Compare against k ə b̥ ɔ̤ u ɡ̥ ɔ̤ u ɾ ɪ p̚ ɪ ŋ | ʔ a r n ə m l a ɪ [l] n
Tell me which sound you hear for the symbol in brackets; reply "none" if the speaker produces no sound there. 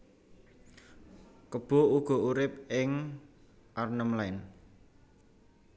none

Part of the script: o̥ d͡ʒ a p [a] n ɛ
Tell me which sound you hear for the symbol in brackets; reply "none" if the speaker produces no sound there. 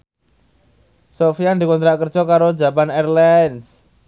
a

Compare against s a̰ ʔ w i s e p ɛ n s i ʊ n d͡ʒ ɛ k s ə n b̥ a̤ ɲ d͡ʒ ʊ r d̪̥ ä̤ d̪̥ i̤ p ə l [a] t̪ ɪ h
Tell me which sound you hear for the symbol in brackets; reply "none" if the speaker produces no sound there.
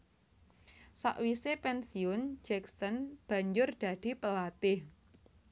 a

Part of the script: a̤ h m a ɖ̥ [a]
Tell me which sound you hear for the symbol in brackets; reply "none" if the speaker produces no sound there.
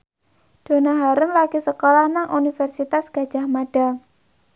a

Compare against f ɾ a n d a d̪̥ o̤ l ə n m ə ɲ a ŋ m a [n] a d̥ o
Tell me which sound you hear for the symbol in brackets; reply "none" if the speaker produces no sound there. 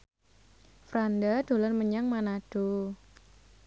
n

